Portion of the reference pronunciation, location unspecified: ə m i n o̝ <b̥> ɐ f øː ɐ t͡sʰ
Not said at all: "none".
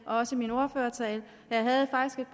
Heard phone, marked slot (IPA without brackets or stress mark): none